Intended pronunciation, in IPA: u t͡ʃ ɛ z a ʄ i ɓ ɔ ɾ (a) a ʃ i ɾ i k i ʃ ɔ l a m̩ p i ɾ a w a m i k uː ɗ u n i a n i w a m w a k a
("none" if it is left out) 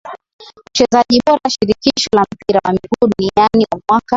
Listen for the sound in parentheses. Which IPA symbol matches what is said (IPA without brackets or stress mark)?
a